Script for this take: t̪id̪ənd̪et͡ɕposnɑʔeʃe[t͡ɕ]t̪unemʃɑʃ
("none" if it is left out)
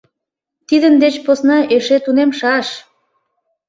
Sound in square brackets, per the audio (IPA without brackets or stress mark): none